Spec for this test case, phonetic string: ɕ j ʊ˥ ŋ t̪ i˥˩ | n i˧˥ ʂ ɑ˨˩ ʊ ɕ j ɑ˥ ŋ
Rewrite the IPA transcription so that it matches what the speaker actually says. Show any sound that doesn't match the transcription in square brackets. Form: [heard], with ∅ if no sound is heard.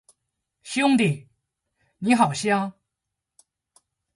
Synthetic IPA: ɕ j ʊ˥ ŋ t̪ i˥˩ | n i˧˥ [x] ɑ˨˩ ʊ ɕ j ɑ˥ ŋ